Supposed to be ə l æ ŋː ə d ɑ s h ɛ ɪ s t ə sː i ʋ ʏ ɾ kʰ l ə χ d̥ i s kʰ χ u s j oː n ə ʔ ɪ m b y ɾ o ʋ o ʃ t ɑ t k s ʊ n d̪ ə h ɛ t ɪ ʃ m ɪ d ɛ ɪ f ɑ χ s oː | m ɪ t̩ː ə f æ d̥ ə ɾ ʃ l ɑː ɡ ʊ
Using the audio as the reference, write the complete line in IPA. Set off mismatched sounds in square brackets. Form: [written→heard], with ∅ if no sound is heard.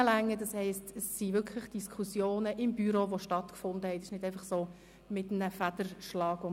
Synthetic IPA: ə l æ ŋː ə d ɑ s h ɛ ɪ s t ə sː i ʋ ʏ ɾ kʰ l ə χ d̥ i s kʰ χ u s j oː n ə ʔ ɪ m b y ɾ o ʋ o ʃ t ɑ t k [s→f] ʊ n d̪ ə h ɛ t ɪ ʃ [m→n] ɪ d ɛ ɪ f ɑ χ s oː | m ɪ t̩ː ə f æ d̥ ə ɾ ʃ l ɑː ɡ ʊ